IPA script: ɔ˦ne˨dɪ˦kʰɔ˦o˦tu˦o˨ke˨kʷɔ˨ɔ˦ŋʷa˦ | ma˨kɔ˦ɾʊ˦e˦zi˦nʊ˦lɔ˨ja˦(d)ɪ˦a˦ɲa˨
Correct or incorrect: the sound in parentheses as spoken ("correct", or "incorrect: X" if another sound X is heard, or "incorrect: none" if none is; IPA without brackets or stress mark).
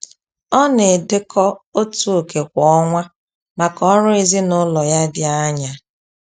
correct